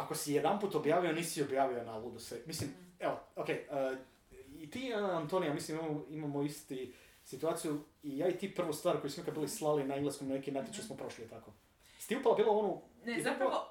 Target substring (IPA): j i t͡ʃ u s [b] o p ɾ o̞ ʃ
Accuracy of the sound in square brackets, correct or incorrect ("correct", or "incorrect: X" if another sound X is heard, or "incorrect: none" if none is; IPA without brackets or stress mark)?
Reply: incorrect: m